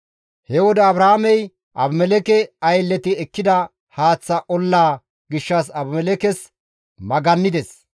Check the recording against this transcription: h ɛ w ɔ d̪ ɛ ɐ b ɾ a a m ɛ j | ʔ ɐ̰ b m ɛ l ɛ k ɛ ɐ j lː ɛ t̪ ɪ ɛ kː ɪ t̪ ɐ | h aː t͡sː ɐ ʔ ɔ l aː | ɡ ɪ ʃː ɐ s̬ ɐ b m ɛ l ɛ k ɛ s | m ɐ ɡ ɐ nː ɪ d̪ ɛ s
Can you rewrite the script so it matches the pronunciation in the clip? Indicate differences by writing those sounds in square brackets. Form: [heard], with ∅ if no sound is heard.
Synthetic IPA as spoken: h ɛ w ɔ d̪ ɛ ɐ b ɾ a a m ɛ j | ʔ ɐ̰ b m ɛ l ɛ k ɛ ɐ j lː ɛ t̪ ɪ ɛ kː ɪ [d̪] ɐ | h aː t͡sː ɐ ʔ ɔ [lː] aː | ɡ ɪ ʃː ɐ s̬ ɐ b m ɛ l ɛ k ɛ s | m ɐ ɡ ɐ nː ɪ d̪ ɛ s

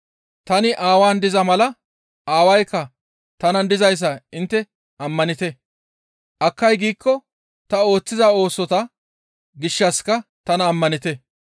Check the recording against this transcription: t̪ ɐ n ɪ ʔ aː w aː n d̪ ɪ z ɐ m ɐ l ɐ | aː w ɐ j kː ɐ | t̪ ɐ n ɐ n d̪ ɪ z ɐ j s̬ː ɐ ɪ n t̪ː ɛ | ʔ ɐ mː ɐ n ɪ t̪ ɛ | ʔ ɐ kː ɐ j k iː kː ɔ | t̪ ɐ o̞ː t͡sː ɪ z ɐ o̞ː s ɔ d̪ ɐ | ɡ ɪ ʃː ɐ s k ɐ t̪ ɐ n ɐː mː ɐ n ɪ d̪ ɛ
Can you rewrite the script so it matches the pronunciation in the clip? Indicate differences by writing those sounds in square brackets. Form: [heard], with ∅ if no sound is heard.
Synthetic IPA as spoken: t̪ ɐ n ɪ ʔ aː w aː n d̪ ɪ z ɐ m ɐ l ɐ | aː w ɐ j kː ɐ | t̪ ɐ n ɐ n d̪ ɪ z ɐ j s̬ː ɐ ɪ n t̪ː ɛ | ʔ ɐ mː ɐ n ɪ t̪ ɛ | ʔ ɐ kː ɐ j [ɡ] iː kː ɔ | t̪ ɐ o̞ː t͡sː ɪ z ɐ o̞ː s ɔ [t̪] ɐ | ɡ ɪ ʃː ɐ s k ɐ t̪ ɐ n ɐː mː ɐ n ɪ [t̪] ɛ

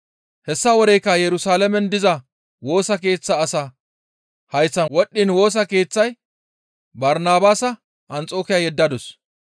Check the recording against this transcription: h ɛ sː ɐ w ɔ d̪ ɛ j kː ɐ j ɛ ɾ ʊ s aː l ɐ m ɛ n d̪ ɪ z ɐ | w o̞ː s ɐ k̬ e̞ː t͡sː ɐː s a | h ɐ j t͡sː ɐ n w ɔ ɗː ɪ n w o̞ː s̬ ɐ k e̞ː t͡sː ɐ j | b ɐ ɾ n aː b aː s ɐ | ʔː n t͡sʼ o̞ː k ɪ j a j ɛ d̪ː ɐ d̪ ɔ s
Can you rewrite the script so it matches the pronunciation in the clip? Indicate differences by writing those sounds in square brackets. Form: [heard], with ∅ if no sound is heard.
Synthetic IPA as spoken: h ɛ sː ɐ w ɔ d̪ ɛ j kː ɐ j ɛ ɾ ʊ s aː l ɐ m ɛ n d̪ ɪ z ɐ | w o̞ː s ɐ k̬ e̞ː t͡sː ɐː s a | h ɐ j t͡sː ɐ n w ɔ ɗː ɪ n w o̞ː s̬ ɐ k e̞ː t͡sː ɐ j | b ɐ ɾ n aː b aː s ɐ | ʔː n t͡sʼ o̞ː k ɪ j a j ɛ d̪ː ɐ d̪ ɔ s

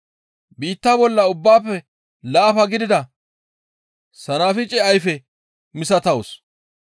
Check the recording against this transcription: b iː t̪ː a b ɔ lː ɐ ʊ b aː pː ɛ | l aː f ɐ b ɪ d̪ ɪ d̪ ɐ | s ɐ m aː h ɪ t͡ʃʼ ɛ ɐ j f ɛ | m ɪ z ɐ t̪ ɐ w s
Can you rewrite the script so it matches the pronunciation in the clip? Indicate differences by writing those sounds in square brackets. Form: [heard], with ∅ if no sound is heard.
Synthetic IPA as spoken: b iː t̪ː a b ɔ lː ɐ ʊ [bː] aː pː ɛ | l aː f ɐ [ɡ] ɪ d̪ ɪ d̪ ɐ | s ɐ [n] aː [f] ɪ t͡ʃʼ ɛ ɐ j f ɛ | m ɪ [s] ɐ t̪ ɐ w s

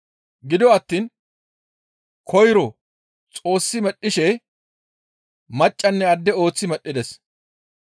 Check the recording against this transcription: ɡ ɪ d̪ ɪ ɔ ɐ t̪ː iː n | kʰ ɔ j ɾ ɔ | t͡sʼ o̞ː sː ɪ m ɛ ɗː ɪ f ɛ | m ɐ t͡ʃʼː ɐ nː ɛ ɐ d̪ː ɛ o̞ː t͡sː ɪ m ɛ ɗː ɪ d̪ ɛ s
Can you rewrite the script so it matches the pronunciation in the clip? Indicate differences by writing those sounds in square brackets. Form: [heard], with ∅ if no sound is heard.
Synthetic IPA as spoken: ɡ ɪ d̪ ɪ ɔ ɐ t̪ː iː n | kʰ ɔ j ɾ ɔ | t͡sʼ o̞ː sː ɪ m ɛ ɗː ɪ [ʃ] ɛ | m ɐ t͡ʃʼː ɐ nː ɛ ɐ d̪ː ɛ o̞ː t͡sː ɪ m ɛ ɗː ɪ d̪ ɛ s

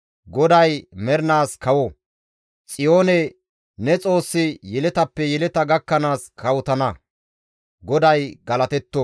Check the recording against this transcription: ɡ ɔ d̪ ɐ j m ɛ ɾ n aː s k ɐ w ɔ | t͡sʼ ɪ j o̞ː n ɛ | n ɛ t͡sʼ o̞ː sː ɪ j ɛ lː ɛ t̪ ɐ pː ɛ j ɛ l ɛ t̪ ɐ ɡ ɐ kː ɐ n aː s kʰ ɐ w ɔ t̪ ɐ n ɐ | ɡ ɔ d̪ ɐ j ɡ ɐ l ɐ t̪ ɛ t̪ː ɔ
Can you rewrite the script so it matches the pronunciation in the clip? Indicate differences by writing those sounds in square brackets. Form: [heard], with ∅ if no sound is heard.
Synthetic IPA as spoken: ɡ ɔ d̪ ɐ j m ɛ ɾ n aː s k ɐ w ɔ | t͡sʼ ɪ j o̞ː n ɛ | n ɛ t͡sʼ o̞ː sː ɪ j ɛ [l] ɛ t̪ ɐ pː ɛ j ɛ l ɛ t̪ ɐ ɡ ɐ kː ɐ n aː s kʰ ɐ w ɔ t̪ ɐ n ɐ | ɡ ɔ d̪ ɐ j ɡ ɐ l ɐ t̪ ɛ t̪ː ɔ

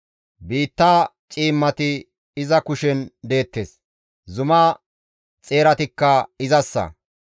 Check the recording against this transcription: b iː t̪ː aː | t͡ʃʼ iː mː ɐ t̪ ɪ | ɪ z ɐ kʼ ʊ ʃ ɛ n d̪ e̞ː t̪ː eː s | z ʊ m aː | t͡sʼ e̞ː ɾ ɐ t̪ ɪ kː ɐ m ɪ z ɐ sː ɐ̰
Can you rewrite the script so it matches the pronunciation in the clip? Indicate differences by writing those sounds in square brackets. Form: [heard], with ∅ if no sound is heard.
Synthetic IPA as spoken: b iː t̪ː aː | t͡ʃʼ iː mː ɐ t̪ ɪ | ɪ z ɐ [k] ʊ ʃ ɛ n d̪ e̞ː t̪ː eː s | z ʊ m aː | t͡sʼ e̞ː ɾ ɐ t̪ ɪ kː ɐ [∅] ɪ z ɐ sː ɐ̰

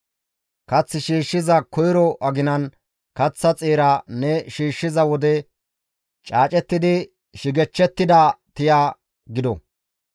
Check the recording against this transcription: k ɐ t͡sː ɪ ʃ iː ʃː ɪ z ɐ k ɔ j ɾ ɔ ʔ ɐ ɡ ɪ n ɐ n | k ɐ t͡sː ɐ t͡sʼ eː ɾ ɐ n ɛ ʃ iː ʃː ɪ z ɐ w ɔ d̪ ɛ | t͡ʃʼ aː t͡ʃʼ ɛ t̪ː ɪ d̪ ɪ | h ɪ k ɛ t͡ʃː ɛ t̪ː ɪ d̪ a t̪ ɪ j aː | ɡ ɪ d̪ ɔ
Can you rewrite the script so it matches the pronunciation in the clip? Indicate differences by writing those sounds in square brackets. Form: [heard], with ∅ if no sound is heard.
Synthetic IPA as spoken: k ɐ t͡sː ɪ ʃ iː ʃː ɪ z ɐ k ɔ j ɾ ɔ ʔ ɐ ɡ ɪ n ɐ n | k ɐ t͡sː ɐ t͡sʼ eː ɾ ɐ n ɛ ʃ iː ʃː ɪ z ɐ w ɔ d̪ ɛ | t͡ʃʼ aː t͡ʃʼ ɛ t̪ː ɪ d̪ ɪ | [ʃ] ɪ [ɡ] ɛ t͡ʃː ɛ t̪ː ɪ d̪ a t̪ ɪ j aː | ɡ ɪ d̪ ɔ

